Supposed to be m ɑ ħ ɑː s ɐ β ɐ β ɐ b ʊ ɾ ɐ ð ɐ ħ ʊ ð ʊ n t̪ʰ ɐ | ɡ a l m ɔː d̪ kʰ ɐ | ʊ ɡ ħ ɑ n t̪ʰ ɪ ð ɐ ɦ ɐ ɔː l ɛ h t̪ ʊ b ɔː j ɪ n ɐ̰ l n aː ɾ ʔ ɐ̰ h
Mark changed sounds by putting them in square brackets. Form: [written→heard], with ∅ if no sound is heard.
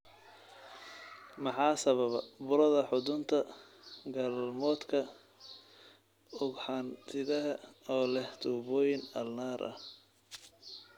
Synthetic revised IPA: m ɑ ħ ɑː s ɐ β ɐ β ɐ b ʊ ɾ ɐ ð ɐ ħ ʊ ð ʊ n t̪ʰ ɐ | ɡ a l m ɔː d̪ kʰ ɐ | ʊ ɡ ħ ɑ n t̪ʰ ɪ ð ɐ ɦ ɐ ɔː l ɛ h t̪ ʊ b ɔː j ɪ n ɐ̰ l n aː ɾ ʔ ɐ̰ h

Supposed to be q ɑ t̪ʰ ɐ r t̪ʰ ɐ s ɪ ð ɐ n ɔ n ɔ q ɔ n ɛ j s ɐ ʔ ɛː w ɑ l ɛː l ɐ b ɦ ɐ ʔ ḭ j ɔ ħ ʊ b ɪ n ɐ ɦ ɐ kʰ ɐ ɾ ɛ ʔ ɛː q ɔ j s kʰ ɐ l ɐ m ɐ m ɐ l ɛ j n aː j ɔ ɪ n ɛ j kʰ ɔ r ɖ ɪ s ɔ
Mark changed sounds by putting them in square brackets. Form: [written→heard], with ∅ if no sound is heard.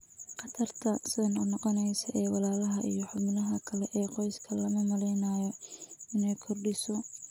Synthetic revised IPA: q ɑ t̪ʰ ɐ r t̪ʰ ɐ s ɪ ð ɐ n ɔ n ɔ q ɔ n ɛ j s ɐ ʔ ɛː w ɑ l [ɛː→aː] l ɐ [b→∅] ɦ ɐ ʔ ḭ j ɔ ħ ʊ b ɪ n ɐ ɦ ɐ kʰ ɐ [ɾ→l] ɛ ʔ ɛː q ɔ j s kʰ ɐ l ɐ m ɐ m ɐ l ɛ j n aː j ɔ ɪ n ɛ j kʰ ɔ r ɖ ɪ s ɔ

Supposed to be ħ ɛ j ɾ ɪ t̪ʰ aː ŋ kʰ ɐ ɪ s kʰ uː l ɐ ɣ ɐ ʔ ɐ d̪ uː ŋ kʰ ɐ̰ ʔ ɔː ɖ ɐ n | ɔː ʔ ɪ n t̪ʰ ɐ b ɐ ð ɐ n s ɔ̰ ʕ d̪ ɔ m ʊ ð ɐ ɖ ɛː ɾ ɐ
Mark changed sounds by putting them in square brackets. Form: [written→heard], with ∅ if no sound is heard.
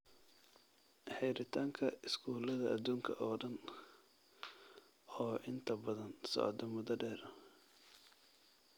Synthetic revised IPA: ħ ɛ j ɾ ɪ t̪ʰ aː ŋ kʰ ɐ ɪ s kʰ uː l ɐ [ɣ→ð] ɐ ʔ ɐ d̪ uː ŋ kʰ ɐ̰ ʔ ɔː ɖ ɐ n | ɔː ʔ ɪ n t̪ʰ ɐ b ɐ ð ɐ n s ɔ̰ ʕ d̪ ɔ m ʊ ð ɐ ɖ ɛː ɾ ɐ

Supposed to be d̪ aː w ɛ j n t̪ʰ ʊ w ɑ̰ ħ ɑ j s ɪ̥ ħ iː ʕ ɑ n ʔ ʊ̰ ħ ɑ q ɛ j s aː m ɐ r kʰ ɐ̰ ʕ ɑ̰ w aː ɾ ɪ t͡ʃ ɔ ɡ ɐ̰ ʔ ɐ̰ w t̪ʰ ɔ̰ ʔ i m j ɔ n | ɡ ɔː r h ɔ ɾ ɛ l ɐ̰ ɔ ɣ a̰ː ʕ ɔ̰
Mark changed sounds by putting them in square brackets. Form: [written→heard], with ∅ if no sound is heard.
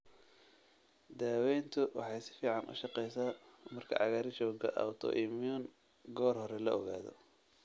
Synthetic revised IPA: d̪ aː w ɛ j n t̪ʰ ʊ w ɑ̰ ħ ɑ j s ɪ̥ [ħ→f] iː ʕ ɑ n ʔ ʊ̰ [ħ→ʃ] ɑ q ɛ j s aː m ɐ r kʰ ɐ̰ ʕ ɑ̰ [w→ɣ] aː ɾ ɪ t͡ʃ [ɔ→ɔː] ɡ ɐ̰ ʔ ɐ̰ w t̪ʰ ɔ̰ ʔ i m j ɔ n | ɡ ɔː r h ɔ ɾ ɛ l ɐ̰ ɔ ɣ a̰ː [ʕ→ð] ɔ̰

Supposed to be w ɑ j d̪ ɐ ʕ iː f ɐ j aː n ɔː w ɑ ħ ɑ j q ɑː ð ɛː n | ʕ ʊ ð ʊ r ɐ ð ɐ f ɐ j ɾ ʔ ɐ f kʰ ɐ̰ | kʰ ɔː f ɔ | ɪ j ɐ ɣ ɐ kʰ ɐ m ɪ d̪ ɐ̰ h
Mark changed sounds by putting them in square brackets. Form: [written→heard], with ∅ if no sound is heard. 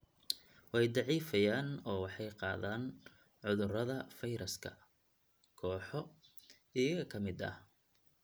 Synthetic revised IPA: w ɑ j d̪ [ɐ→ɑ] ʕ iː f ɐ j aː n ɔː w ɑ ħ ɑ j q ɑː ð [ɛː→aː] n | ʕ ʊ ð ʊ r ɐ ð ɐ f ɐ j ɾ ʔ ɐ [f→s] kʰ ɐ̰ | kʰ ɔː [f→ħ] ɔ | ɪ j ɐ ɣ ɐ kʰ ɐ m ɪ d̪ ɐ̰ h

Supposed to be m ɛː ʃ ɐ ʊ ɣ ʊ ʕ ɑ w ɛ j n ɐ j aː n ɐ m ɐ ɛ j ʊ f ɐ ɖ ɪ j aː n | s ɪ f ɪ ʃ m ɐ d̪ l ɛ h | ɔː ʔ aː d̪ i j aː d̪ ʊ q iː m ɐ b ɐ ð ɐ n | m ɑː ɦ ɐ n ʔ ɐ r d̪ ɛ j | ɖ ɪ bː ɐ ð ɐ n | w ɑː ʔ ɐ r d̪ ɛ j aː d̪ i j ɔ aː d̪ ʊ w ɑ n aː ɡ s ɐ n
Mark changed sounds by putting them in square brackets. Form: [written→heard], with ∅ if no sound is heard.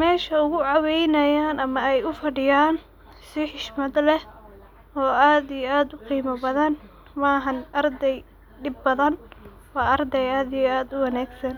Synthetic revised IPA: m ɛː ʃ ɐ ʊ ɣ ʊ ʕ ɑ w ɛ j n ɐ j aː n ɐ m ɐ ɛ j ʊ f ɐ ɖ ɪ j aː n | s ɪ [f→ħ] ɪ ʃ m ɐ d̪ l ɛ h | ɔː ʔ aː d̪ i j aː d̪ ʊ q iː m ɐ b ɐ ð ɐ n | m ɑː ɦ ɐ n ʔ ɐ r d̪ ɛ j | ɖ ɪ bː ɐ ð ɐ n | w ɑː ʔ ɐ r d̪ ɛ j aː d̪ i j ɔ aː d̪ ʊ w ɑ n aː ɡ s ɐ n

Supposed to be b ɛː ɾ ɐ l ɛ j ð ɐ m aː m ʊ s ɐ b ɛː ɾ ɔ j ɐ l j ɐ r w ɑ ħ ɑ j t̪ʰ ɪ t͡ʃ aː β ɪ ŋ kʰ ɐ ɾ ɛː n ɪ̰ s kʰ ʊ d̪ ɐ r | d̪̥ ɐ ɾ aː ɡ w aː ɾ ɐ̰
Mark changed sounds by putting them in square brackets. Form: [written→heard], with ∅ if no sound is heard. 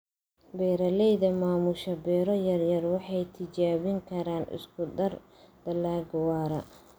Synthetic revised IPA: b ɛː ɾ ɐ l ɛ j ð ɐ m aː m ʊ [s→ʃ] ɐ b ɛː ɾ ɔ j ɐ [l→r] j ɐ r w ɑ ħ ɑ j t̪ʰ ɪ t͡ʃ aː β ɪ ŋ kʰ ɐ ɾ [ɛː→aː] n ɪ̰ s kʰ ʊ d̪ ɐ r | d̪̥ ɐ [ɾ→l] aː ɡ w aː ɾ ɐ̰

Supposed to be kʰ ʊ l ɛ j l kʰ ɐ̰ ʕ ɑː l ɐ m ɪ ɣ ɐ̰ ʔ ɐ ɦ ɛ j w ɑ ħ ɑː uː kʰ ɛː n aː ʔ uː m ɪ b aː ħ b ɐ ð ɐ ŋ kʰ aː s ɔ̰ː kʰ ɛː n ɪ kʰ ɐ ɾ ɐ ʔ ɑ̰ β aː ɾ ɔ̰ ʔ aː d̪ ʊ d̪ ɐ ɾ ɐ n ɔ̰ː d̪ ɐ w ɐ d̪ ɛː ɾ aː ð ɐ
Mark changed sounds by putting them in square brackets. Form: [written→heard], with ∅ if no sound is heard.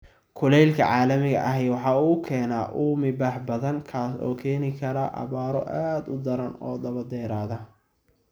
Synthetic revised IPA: kʰ ʊ l ɛ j l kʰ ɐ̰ ʕ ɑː l ɐ m ɪ ɣ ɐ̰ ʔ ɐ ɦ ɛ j w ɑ ħ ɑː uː kʰ ɛː n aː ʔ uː m ɪ b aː ħ b ɐ ð ɐ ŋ kʰ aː s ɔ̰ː kʰ ɛː n ɪ kʰ ɐ ɾ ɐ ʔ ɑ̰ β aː ɾ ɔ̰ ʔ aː d̪ ʊ d̪ ɐ ɾ ɐ n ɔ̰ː d̪ ɐ [w→β] ɐ d̪ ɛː ɾ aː ð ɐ

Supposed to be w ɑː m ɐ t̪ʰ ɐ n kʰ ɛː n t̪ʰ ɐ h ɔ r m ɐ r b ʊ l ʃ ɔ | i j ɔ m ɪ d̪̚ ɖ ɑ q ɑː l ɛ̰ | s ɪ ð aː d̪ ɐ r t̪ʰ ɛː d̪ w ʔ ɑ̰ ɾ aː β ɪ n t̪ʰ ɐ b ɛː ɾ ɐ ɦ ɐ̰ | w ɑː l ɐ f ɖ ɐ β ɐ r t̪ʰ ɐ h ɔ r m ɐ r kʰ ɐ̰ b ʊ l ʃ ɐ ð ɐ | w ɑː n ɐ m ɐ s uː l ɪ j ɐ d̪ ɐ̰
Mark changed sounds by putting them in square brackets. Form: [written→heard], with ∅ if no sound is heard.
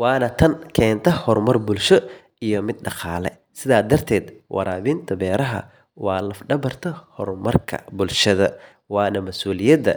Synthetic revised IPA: w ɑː [m→n] ɐ t̪ʰ ɐ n kʰ ɛː n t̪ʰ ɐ h ɔ r m ɐ r b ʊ l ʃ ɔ | i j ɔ m ɪ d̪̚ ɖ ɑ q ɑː l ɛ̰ | s ɪ ð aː d̪ ɐ r t̪ʰ ɛː d̪ w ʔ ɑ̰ ɾ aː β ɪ n t̪ʰ ɐ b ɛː ɾ ɐ ɦ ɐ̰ | w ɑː l ɐ f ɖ ɐ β ɐ r t̪ʰ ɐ h ɔ r m ɐ r kʰ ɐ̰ b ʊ l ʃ ɐ ð ɐ | w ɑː n ɐ m ɐ s uː l ɪ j ɐ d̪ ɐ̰

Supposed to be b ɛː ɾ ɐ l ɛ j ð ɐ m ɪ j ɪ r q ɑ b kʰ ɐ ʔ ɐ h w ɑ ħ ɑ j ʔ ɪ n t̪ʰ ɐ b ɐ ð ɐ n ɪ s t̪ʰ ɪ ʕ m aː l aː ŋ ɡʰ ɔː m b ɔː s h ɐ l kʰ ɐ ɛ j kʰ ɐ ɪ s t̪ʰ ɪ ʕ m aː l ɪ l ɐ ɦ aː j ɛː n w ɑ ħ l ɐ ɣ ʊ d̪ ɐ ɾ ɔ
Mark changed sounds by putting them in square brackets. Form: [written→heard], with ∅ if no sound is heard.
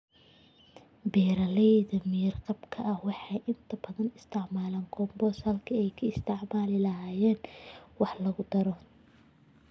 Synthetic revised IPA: b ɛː ɾ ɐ l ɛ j ð ɐ m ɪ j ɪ r q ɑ b kʰ ɐ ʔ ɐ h w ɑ ħ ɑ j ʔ ɪ n t̪ʰ ɐ b ɐ ð ɐ n ɪ s t̪ʰ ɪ ʕ m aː l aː ŋ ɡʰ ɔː m b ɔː s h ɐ l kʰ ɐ ɛ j kʰ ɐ ɪ s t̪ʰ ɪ ʕ m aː l ɪ l ɐ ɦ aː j ɛː n w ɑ ħ l ɐ ɣ ʊ d̪ ɐ ɾ ɔ

